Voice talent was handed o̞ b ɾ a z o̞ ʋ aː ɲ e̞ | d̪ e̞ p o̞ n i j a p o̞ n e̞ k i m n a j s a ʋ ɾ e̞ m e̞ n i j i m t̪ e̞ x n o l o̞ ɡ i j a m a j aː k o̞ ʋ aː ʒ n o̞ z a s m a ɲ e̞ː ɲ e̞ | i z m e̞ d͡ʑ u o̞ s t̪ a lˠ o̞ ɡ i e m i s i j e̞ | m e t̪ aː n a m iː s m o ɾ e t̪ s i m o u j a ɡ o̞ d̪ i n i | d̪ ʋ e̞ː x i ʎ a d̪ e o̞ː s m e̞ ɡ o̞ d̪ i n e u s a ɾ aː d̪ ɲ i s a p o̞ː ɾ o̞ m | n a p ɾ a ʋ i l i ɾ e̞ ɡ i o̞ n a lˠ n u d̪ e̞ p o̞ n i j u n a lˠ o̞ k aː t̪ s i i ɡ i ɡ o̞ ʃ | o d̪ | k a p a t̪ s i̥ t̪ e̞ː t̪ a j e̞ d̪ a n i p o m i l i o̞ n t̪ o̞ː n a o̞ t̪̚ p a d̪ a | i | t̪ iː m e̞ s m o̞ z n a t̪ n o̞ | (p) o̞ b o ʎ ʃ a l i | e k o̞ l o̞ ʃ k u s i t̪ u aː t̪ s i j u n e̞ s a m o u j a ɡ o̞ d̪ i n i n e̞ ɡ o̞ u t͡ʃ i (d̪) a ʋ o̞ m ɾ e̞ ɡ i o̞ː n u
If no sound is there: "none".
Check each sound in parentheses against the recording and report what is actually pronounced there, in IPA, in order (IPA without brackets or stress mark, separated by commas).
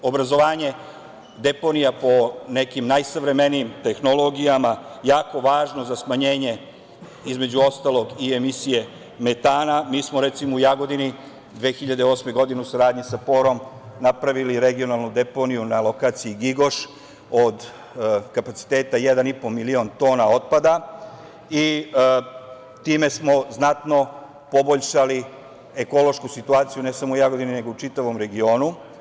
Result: p, t̪